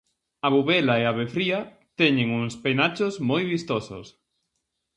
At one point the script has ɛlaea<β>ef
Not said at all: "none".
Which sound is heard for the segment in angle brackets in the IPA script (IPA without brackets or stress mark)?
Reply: β